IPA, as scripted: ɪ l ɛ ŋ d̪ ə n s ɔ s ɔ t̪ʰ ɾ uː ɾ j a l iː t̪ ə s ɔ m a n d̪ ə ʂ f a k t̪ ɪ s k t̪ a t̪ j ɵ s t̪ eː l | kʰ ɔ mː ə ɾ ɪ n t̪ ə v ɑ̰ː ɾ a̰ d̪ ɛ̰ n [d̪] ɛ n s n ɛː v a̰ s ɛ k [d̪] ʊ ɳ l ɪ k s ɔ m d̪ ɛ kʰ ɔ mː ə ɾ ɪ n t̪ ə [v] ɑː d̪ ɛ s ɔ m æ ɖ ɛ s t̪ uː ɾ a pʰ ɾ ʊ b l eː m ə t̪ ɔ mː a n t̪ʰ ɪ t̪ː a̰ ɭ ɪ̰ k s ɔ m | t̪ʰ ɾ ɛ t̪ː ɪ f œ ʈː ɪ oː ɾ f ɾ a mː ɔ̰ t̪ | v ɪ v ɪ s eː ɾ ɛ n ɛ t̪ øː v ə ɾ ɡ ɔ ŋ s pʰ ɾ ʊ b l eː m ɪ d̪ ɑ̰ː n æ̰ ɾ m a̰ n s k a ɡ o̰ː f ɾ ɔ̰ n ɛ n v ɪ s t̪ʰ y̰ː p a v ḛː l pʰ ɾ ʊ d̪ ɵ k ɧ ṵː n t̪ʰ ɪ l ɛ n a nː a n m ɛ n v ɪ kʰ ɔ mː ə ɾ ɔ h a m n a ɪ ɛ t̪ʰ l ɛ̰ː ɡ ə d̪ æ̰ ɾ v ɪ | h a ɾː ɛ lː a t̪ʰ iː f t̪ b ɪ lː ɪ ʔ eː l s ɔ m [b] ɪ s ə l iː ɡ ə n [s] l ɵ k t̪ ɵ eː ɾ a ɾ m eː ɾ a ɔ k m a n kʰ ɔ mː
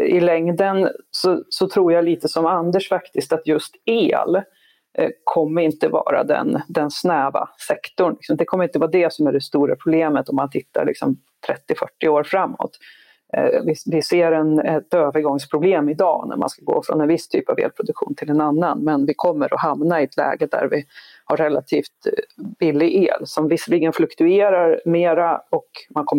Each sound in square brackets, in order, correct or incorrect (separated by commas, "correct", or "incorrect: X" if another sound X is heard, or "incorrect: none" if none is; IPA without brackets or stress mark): correct, incorrect: t̪, correct, incorrect: v, incorrect: f